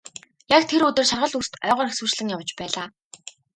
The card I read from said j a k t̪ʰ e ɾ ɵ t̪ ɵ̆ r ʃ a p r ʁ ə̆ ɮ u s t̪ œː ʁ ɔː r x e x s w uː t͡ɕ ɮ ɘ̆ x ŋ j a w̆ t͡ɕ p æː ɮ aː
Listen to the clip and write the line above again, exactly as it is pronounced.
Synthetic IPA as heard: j a k t̪ʰ e ɾ ɵ t̪ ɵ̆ r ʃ a r ʁ ə̆ ɮ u s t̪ œː ʁ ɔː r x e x s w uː t͡ɕ ɮ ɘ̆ ŋ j a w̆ t͡ɕ p æː ɮ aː